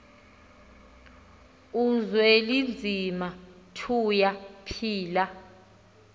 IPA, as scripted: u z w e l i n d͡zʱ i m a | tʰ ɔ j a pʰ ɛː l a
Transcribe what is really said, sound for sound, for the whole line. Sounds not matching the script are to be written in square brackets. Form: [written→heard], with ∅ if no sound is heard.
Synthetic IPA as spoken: u z w e l i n d͡zʱ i m a | tʰ [ɔ→u] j a pʰ [ɛː→iː] l a